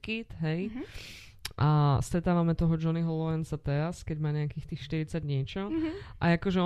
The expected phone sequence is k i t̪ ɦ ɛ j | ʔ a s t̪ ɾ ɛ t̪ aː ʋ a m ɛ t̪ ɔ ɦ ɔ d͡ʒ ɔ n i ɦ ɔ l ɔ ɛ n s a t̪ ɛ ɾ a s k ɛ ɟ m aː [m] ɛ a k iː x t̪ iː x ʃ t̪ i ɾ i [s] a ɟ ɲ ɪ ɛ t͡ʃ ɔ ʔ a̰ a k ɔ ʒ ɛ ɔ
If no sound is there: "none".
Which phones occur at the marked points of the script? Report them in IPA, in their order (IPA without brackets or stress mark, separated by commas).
ɲ, t͡s